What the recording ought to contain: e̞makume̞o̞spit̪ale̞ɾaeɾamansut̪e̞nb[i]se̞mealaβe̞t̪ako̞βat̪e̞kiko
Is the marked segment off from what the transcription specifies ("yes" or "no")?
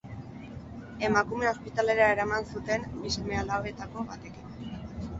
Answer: no